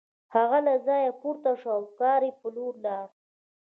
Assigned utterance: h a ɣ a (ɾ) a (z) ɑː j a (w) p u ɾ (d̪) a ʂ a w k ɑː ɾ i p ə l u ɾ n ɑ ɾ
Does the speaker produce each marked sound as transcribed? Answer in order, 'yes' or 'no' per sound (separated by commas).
no, yes, no, no